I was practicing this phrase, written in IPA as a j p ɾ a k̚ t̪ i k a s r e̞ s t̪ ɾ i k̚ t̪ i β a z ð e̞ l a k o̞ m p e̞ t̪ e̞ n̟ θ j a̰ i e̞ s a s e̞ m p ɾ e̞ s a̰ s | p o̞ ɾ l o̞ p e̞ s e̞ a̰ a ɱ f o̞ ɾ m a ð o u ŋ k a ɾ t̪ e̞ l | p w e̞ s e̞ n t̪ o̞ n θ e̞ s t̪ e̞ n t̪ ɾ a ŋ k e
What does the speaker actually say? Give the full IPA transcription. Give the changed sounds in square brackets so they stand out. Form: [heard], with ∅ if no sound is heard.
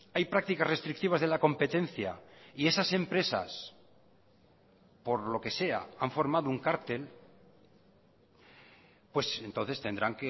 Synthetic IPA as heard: a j p ɾ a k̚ t̪ i k a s r e̞ s t̪ ɾ i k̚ t̪ i β a z ð e̞ l a k o̞ m p e̞ t̪ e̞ n̟ θ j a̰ i e̞ s a s e̞ m p ɾ e̞ s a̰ s | p o̞ ɾ l o̞ [k] e̞ s e̞ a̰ a ɱ f o̞ ɾ m a ð o u ŋ k a ɾ t̪ e̞ l | p w e̞ s e̞ n t̪ o̞ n θ e̞ s t̪ e̞ n [d̪] ɾ a ŋ k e